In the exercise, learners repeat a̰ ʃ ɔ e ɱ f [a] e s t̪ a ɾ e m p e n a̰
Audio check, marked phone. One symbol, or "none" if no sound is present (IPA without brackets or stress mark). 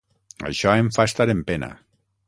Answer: a